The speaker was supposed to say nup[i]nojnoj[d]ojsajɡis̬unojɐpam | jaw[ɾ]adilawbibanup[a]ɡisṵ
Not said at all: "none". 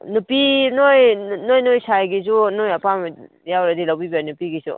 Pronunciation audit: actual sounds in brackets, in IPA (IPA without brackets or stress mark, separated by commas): i, n, ɾ, i